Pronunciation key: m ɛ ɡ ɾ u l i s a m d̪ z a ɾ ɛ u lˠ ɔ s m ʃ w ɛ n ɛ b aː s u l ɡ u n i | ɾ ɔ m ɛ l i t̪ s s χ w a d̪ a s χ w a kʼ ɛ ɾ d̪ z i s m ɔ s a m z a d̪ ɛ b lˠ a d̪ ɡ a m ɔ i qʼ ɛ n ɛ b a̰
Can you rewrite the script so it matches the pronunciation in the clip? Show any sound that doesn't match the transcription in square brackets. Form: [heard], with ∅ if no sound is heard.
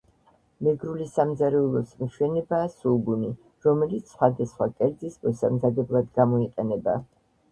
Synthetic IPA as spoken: m ɛ ɡ ɾ u l i s a m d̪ z a ɾ ɛ u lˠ ɔ s m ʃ w ɛ n ɛ b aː s u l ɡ u n i | ɾ ɔ m ɛ l i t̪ s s χ w a d̪ a s χ w a kʼ ɛ ɾ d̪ z i s m ɔ s a m z a d̪ ɛ b lˠ a d̪ ɡ a m ɔ i qʼ ɛ n ɛ b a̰